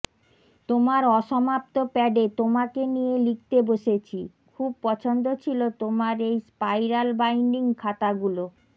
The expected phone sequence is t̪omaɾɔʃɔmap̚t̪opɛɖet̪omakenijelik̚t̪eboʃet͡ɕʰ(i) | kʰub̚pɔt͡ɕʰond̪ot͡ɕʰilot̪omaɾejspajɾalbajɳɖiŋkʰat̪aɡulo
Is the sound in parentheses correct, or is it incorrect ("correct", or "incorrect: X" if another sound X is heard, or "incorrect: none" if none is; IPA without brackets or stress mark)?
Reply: correct